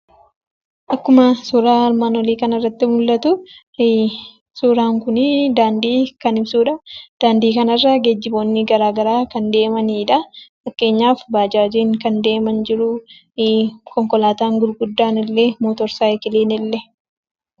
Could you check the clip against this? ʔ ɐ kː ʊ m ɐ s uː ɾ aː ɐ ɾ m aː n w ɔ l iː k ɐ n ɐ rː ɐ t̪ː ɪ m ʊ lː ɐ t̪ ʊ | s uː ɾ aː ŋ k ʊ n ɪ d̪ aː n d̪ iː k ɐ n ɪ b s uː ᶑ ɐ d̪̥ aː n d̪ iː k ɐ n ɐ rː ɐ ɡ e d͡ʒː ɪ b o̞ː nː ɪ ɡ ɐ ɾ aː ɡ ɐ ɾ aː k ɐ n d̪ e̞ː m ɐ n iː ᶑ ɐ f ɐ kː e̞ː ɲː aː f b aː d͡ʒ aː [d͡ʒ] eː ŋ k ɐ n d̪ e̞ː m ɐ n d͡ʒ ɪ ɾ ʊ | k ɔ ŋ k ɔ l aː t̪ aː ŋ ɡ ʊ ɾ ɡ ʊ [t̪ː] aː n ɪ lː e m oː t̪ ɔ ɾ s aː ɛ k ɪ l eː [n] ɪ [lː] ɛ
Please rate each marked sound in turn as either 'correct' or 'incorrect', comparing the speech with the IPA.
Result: correct, incorrect, correct, correct

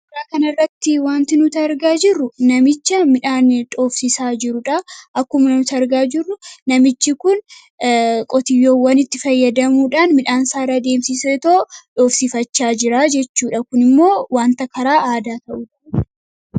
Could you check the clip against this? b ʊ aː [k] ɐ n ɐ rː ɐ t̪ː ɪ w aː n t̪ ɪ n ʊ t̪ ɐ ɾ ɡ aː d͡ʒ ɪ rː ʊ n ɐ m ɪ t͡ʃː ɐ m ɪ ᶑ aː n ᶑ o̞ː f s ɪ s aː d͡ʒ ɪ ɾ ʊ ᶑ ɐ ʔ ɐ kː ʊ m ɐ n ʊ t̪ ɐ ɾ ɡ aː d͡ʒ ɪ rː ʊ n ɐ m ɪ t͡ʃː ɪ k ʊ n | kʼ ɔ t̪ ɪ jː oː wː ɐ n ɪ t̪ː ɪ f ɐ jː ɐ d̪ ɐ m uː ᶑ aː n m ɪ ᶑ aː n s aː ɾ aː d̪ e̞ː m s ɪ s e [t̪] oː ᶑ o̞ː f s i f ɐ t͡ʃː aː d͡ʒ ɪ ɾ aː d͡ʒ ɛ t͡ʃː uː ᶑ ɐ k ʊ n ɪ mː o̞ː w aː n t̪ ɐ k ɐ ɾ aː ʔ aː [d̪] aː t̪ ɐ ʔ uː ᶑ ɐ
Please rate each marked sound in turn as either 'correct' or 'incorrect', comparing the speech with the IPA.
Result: correct, correct, correct

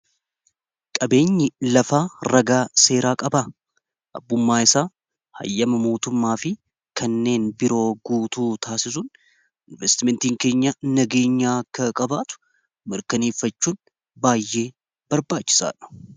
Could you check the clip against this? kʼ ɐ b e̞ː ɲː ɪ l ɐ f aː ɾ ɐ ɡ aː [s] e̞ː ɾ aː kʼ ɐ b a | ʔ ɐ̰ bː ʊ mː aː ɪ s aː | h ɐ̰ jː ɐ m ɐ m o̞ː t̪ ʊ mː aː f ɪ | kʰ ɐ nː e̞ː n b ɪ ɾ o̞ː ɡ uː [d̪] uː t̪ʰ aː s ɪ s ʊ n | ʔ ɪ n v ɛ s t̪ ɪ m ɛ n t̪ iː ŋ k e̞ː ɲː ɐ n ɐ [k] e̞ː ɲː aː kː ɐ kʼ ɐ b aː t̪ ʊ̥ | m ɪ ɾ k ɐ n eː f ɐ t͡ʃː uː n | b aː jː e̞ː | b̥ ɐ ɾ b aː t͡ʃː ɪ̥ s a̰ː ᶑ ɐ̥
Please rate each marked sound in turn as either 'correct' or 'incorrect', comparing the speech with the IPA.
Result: correct, incorrect, incorrect

